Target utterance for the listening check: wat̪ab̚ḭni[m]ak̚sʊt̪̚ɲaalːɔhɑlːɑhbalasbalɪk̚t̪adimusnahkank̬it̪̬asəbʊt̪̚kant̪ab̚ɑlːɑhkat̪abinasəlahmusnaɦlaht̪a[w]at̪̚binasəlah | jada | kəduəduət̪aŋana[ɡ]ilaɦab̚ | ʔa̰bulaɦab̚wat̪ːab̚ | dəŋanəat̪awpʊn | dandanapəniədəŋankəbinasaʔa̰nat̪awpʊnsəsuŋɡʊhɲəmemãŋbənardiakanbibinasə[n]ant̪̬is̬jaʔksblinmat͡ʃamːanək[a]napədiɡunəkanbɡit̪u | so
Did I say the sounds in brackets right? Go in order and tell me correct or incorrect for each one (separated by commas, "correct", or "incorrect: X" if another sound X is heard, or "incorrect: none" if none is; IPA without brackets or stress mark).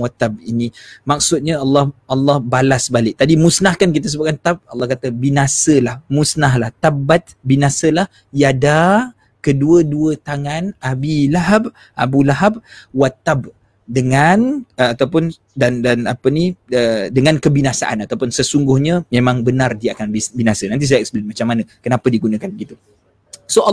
correct, incorrect: b, incorrect: b, correct, incorrect: ə